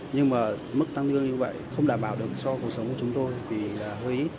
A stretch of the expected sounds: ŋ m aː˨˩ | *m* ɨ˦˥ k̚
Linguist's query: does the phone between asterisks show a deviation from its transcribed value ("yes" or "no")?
no